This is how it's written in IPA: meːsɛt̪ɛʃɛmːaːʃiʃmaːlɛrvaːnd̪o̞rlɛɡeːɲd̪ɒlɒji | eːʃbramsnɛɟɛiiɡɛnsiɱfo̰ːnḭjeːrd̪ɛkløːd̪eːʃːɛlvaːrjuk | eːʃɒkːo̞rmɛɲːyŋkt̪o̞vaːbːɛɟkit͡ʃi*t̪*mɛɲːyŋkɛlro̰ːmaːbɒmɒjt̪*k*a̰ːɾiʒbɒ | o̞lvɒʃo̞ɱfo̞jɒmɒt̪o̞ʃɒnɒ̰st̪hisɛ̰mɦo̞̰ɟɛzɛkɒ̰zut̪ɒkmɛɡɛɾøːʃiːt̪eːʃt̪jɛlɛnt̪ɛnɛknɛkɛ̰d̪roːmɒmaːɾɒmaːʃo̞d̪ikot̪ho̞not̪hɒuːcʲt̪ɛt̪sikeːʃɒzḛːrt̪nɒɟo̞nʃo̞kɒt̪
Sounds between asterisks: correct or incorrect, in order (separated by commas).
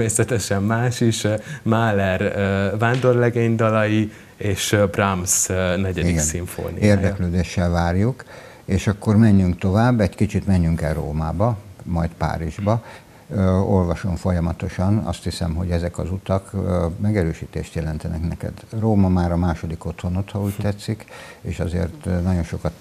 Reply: correct, incorrect